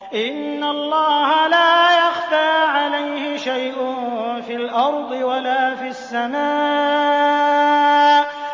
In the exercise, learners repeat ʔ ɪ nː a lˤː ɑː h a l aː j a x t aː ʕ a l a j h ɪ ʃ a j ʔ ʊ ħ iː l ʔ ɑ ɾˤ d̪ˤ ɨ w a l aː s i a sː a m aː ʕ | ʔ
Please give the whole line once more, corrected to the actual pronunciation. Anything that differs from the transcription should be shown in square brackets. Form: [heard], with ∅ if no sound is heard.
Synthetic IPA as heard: ʔ ɪ nː a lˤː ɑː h a l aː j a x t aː ʕ a l a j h ɪ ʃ a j ʔ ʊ [f] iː l ʔ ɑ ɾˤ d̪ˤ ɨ w a l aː [f] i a sː a m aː [∅] | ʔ